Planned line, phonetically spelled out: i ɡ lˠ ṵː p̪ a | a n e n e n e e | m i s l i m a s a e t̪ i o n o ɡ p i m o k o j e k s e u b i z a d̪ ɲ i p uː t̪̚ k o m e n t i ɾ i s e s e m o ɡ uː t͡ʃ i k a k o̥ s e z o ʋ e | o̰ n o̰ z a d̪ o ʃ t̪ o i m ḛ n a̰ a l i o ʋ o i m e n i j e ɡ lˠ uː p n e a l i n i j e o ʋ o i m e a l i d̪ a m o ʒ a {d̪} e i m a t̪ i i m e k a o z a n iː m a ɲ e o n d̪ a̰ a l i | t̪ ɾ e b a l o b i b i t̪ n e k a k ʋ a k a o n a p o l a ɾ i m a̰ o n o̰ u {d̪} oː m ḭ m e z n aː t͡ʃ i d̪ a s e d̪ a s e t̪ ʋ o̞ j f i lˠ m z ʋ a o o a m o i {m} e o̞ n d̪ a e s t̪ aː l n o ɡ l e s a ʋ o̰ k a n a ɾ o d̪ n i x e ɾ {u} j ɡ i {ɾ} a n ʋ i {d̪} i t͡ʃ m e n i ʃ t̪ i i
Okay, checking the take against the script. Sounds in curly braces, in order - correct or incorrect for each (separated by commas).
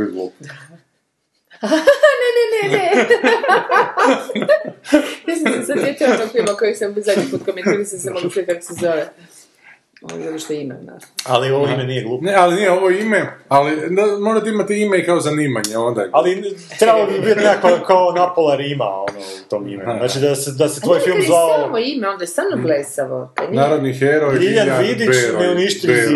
incorrect, incorrect, correct, incorrect, incorrect, correct